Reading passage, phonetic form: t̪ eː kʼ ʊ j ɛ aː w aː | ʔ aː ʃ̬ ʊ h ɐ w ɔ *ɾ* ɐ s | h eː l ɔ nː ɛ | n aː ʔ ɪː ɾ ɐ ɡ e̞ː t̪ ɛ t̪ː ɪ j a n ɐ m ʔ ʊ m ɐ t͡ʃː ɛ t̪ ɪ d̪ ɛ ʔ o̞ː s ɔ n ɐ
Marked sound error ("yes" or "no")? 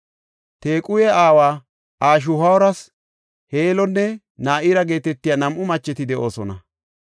no